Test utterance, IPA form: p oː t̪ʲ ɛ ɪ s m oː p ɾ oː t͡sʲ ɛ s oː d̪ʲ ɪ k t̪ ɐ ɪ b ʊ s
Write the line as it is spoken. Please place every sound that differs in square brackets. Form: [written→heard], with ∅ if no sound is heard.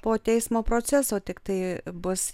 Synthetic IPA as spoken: p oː t̪ʲ ɛ ɪ s m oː p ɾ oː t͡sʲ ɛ s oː [d̪ʲ→t̪ʲ] ɪ k t̪ ɐ ɪ b ʊ s